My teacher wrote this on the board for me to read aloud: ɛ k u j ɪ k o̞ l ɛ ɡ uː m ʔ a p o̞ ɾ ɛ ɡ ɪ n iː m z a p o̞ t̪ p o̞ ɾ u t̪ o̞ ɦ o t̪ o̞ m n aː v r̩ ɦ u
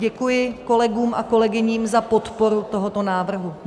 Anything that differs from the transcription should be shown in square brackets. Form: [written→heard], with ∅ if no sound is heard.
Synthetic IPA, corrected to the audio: ɛ k u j ɪ k o̞ l ɛ ɡ uː m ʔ a [p→k] o̞ [ɾ→l] ɛ ɡ ɪ [n→ɲ] iː m z a p o̞ t̪ p o̞ ɾ u t̪ o̞ ɦ o t̪ o̞ [m→∅] n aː v r̩ ɦ u